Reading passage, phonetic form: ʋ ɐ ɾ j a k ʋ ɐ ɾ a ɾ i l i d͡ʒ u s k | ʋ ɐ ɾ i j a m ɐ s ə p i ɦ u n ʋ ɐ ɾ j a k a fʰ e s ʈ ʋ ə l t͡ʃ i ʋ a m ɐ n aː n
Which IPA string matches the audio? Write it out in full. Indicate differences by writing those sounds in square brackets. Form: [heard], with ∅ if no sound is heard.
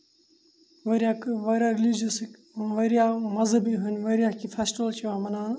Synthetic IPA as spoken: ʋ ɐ ɾ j a k ʋ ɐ ɾ a ɾ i l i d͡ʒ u s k | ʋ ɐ ɾ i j a m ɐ [z] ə [b] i ɦ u n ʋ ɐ ɾ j a k [i] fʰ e s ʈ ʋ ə l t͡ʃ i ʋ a m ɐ n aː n